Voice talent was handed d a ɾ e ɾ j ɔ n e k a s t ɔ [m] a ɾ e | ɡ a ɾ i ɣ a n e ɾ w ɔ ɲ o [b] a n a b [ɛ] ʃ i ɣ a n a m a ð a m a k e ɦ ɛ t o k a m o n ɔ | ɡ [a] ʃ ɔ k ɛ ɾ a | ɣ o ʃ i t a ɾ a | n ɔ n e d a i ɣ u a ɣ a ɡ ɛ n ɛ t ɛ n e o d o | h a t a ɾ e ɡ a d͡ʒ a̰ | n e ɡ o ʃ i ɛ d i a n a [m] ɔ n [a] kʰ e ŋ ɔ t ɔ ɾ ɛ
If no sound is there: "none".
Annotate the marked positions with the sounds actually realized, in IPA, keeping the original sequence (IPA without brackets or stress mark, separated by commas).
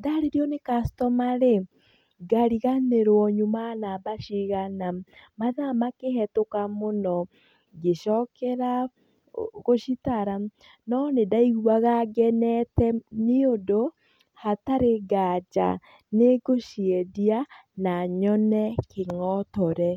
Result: m, m, a, e, ɲ, ɛ